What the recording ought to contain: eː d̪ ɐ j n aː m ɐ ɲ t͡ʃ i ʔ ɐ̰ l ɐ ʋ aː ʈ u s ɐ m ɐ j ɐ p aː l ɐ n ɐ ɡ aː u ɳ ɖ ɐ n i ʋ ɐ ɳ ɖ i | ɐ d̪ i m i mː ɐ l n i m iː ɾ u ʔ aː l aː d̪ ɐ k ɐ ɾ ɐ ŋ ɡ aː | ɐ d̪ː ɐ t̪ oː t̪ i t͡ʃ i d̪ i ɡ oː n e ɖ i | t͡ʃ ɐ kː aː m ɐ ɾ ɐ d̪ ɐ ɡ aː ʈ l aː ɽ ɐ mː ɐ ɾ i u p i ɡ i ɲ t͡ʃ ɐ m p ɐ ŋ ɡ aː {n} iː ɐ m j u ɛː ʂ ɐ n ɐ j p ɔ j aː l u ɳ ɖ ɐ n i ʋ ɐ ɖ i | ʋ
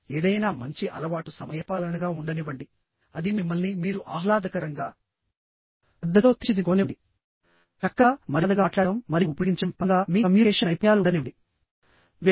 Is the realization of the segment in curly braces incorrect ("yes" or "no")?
yes